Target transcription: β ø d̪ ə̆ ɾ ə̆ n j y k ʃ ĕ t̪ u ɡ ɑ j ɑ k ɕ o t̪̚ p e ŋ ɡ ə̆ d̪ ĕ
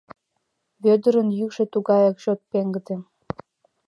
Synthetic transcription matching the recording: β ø d̪ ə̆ ɾ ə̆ n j y k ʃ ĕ t̪ u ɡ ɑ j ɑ k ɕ o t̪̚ p e ŋ ɡ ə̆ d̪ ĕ

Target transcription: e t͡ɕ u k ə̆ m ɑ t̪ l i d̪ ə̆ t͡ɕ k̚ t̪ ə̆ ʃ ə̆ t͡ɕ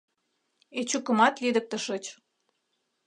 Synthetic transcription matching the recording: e t͡ɕ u k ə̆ m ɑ t̪ l i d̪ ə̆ k̚ t̪ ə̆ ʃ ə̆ t͡ɕ

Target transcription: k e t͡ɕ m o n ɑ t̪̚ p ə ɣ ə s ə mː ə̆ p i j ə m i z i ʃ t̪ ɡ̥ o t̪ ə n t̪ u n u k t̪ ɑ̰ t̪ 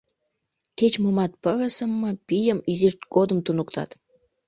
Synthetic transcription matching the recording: k e t͡ɕ m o m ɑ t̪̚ p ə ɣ ə s ə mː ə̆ p i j ə m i z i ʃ t̪ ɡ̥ o d̪ ə m t̪ u n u k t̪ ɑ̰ t̪

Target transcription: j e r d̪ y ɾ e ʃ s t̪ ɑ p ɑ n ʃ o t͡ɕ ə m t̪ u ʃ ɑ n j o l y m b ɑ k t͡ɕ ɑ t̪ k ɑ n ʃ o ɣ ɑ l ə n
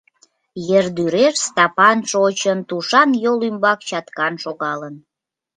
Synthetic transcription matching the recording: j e r d̪ y ɾ e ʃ s t̪ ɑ p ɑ n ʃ o t͡ɕ ə n t̪ u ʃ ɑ n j o l y m b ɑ k t͡ɕ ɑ t̪ k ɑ n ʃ o ɣ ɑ l ə n

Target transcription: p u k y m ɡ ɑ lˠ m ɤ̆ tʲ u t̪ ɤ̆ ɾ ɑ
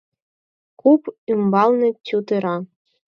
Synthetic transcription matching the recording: k u p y m b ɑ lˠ n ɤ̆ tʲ u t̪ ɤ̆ ɾ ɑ

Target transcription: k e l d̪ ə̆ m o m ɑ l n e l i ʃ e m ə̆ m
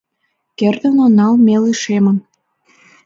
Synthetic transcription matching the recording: k e r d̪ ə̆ n o n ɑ l m e l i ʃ e m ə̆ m

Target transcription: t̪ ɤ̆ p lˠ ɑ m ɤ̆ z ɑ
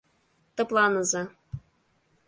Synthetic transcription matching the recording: t̪ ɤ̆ p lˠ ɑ n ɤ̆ z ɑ

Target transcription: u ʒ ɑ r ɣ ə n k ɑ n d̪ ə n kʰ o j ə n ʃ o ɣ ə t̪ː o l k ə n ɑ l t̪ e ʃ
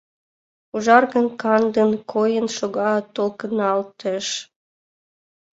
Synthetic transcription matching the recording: u ʒ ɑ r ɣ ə n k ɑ n d̪ ə n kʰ o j ə n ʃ o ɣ ɑ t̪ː o l k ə n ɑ l t̪ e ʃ

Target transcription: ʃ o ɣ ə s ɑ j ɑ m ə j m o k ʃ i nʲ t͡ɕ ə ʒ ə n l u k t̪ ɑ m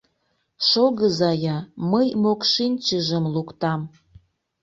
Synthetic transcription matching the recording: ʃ o ɣ ə z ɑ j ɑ m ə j m o k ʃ i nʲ t͡ɕ ə ʒ ə m l u k t̪ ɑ m

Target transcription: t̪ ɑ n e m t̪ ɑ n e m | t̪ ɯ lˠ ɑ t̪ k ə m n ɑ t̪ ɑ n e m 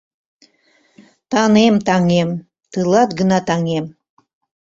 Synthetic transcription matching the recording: t̪ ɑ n e m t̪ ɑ ŋ e m | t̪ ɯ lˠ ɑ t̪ ɡ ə n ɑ t̪ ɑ ŋ e m

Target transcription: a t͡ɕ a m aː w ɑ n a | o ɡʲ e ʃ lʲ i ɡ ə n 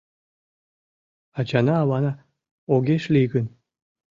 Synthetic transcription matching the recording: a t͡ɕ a n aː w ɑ n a | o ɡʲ e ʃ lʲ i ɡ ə n

